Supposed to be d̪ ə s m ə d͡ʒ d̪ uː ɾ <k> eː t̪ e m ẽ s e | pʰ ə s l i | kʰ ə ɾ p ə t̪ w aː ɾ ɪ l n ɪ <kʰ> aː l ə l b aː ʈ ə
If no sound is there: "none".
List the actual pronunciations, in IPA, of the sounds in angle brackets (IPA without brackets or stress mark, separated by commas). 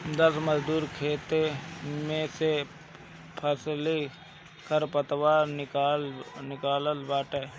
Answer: kʰ, k